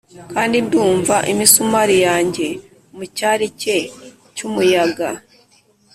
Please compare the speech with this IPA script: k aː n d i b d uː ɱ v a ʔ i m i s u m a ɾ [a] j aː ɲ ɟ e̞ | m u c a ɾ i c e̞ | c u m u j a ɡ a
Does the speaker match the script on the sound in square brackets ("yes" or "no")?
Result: no